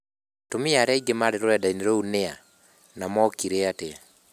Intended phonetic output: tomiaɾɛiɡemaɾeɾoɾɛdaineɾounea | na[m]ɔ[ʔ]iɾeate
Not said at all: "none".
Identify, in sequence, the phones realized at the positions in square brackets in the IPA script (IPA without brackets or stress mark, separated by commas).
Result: m, k